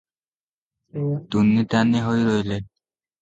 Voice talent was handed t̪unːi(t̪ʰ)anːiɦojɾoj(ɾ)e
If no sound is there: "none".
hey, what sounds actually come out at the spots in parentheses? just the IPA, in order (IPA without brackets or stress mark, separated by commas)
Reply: t̪, l